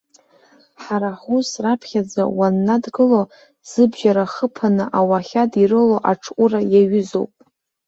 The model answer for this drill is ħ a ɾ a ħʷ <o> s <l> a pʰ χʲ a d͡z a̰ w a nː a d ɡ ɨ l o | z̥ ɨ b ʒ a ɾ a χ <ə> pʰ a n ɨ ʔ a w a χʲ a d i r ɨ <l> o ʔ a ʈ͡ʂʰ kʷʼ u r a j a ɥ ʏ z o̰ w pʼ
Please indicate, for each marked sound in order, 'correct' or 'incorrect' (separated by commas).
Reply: incorrect, incorrect, correct, correct